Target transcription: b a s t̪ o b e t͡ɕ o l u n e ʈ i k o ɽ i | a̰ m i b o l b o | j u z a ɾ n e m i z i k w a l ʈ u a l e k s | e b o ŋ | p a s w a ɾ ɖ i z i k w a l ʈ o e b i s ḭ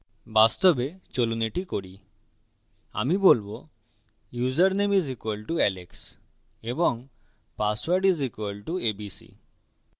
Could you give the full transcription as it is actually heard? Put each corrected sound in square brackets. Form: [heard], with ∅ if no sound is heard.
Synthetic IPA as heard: b a s t̪ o b e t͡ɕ o l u n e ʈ i k o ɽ i | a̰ m i b o l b o | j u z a ɾ n e m i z i k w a l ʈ u [ɛ] l e k s | e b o ŋ | p a s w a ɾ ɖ i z i k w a l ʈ [u] e b i s ḭ